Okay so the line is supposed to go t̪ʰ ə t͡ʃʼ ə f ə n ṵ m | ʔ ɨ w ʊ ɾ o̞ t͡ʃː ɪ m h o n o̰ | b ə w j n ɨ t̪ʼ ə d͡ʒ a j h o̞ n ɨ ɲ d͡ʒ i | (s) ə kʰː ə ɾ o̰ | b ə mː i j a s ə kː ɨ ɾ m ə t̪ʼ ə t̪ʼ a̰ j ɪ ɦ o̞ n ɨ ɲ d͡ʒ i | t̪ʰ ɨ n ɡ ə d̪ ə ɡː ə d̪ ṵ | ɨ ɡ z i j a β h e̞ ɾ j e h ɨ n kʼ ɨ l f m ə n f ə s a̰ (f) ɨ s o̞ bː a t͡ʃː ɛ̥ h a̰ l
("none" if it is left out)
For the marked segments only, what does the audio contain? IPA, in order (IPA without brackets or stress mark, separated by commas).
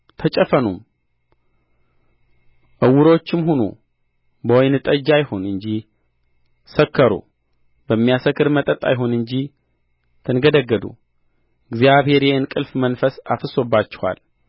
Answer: s, f